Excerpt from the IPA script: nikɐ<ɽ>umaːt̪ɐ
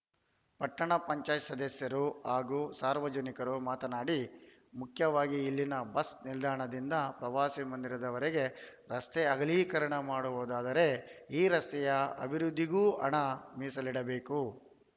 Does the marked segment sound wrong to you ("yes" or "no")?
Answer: yes